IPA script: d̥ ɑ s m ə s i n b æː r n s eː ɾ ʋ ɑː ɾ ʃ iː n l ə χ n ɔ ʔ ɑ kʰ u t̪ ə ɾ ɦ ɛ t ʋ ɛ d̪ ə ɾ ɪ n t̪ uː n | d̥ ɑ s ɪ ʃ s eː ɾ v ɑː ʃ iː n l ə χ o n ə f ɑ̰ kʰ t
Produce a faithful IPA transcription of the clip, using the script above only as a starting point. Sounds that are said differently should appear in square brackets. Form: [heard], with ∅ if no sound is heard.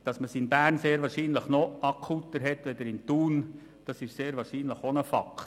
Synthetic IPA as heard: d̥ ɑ s m ə s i n b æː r n s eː ɾ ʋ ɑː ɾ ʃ iː n l ə χ n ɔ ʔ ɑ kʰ u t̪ ə ɾ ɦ ɛ t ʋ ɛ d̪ ə ɾ ɪ n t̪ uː n | d̥ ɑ s ɪ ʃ s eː ɾ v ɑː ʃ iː n l ə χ o n ə f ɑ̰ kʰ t